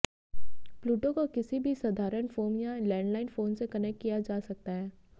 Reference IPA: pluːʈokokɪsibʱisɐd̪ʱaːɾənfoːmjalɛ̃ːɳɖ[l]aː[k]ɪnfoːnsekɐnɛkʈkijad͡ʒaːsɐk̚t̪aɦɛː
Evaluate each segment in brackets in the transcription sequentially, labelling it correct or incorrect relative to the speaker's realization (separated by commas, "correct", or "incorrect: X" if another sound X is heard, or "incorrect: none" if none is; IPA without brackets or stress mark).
correct, incorrect: none